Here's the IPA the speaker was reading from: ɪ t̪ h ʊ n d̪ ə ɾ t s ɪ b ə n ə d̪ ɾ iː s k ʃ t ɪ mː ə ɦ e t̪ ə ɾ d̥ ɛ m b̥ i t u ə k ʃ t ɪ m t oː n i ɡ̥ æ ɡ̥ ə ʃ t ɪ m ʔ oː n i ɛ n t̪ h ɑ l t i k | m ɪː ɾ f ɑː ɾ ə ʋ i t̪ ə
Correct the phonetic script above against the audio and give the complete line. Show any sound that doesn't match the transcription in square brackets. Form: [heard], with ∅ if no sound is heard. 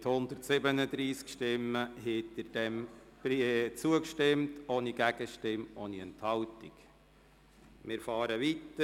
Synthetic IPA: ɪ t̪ h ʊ n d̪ ə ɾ t s ɪ b ə n ə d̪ ɾ iː s k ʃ t ɪ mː ə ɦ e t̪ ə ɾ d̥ ɛ m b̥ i [t͡s] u ə k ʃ t ɪ m t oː n i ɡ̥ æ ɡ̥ ə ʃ t ɪ m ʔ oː n i ɛ n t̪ h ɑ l t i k | m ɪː ɾ f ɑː ɾ ə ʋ i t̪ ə